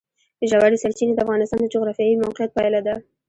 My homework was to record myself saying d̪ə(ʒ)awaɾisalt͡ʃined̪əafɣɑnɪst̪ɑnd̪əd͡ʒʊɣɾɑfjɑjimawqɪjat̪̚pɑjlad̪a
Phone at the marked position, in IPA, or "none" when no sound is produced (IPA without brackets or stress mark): ʒ